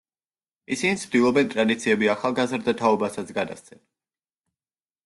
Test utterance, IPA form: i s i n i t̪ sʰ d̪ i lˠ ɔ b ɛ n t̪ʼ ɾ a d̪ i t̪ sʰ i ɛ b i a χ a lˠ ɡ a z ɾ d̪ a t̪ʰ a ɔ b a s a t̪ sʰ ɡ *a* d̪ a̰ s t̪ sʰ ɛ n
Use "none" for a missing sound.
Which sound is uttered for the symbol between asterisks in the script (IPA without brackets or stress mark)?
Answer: a